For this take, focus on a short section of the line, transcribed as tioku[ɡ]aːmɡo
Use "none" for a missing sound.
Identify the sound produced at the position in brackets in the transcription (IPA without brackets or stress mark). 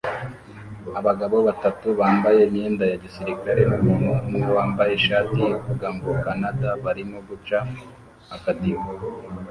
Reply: ɡ